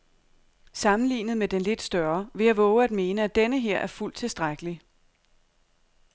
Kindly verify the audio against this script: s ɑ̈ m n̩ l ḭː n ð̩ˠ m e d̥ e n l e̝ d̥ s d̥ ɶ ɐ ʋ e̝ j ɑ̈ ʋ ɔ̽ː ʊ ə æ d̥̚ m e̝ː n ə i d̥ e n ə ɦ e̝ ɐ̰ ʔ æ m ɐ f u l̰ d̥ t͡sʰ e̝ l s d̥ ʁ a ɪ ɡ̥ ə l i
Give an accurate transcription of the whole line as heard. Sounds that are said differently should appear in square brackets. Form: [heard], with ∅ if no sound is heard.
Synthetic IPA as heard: s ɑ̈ m n̩ l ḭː n ð̩ˠ m e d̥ e n l e̝ d̥ s d̥ ɶ ɐ ʋ e̝ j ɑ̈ ʋ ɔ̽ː ʊ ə æ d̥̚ m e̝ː n ə [æ] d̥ e n ə ɦ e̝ ɐ̰ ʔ æ [∅] ɐ f u l̰ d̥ t͡sʰ e̝ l s d̥ ʁ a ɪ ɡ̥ ə l i

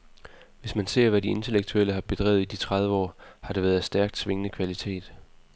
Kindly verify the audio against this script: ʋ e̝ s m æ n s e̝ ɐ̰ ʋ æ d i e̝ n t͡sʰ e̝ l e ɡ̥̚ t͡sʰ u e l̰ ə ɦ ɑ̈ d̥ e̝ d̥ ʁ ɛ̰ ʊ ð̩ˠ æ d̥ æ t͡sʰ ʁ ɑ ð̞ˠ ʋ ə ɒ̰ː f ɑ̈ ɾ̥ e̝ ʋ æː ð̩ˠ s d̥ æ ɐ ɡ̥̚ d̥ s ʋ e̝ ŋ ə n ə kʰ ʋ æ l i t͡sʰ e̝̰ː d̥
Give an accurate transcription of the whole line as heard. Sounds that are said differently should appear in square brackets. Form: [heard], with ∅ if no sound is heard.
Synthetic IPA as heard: ʋ e̝ s m æ n s e̝ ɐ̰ ʋ æ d i e̝ n t͡sʰ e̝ l e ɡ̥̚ t͡sʰ u e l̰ ə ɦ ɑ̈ [b̥] e̝ d̥ ʁ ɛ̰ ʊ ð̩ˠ [i] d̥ [i] t͡sʰ ʁ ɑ ð̞ˠ ʋ ə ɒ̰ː [h] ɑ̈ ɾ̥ e̝ ʋ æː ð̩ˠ s d̥ æ ɐ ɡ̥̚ d̥ s ʋ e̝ ŋ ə n ə kʰ ʋ æ l i t͡sʰ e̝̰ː d̥

